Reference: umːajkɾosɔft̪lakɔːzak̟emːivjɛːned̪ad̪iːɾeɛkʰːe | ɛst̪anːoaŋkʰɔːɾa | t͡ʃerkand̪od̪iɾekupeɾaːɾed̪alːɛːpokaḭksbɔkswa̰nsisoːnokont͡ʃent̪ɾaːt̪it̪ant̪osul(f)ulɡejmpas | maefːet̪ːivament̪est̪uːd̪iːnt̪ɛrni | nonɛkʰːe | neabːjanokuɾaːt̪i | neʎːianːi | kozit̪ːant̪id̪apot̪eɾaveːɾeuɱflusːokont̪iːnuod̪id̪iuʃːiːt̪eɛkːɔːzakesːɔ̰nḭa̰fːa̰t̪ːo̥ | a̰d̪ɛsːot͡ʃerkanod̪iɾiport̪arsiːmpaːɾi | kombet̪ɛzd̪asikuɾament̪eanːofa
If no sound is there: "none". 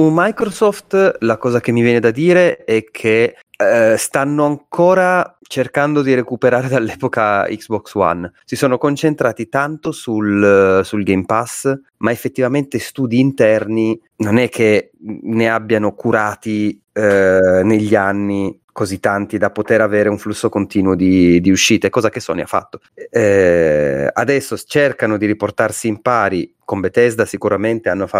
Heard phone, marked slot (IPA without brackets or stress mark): s